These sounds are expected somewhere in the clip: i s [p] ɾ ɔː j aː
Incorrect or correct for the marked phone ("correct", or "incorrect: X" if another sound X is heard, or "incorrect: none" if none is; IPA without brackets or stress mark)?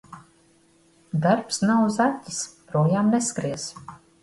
correct